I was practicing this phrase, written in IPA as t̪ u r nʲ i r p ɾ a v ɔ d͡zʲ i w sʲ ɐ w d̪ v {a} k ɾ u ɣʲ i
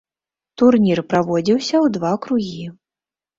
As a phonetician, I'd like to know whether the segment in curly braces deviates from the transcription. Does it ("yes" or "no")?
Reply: no